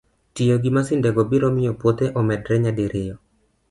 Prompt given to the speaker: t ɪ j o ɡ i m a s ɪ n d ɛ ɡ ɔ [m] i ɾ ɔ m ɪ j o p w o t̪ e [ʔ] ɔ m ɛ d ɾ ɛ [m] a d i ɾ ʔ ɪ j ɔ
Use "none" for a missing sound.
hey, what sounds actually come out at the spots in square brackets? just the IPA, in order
b, ʔ, ɲ

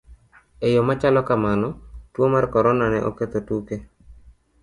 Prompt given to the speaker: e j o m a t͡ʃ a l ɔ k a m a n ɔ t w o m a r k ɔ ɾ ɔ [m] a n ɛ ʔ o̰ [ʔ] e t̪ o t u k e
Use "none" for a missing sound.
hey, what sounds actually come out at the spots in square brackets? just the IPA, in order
n, k

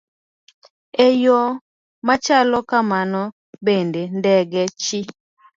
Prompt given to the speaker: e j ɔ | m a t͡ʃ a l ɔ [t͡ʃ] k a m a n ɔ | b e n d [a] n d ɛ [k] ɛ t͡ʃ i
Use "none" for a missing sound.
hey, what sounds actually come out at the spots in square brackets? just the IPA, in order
none, e, ɡ

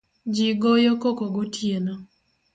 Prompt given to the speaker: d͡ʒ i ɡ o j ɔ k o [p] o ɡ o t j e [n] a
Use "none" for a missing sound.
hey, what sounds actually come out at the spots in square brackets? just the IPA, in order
k, n

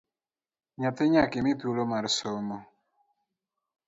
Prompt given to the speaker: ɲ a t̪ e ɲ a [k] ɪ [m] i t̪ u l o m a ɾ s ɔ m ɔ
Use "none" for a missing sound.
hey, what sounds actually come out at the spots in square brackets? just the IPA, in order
k, m

